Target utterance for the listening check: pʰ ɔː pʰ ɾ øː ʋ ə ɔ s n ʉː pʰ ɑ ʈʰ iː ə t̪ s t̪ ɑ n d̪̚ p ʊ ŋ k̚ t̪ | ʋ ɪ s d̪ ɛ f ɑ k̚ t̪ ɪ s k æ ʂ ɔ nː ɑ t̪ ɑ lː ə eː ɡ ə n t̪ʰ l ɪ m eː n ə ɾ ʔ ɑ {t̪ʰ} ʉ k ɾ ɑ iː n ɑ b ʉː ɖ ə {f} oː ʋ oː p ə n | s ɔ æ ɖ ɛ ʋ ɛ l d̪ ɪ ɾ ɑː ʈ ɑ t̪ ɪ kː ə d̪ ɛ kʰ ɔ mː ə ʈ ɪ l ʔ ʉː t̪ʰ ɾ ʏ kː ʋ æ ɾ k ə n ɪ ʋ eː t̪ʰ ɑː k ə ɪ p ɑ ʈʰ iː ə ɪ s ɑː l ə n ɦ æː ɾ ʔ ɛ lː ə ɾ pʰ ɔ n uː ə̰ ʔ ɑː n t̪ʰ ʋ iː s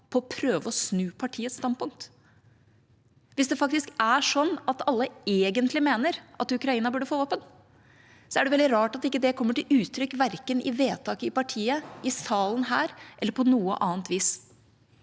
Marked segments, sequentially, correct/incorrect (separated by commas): incorrect, correct